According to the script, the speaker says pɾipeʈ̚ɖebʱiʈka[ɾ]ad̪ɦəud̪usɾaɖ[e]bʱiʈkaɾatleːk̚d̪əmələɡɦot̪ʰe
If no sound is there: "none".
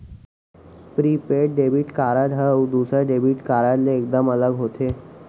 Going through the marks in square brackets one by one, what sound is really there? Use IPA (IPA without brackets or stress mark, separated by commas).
ɾ, e